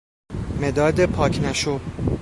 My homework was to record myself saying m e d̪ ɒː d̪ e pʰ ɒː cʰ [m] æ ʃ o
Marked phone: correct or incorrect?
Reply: incorrect